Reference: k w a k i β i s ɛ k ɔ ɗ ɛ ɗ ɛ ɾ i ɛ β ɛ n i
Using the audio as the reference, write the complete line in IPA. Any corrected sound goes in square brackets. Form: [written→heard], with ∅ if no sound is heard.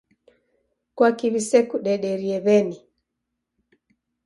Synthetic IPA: k w a k i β i s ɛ k [ɔ→u] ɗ ɛ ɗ ɛ ɾ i ɛ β ɛ n i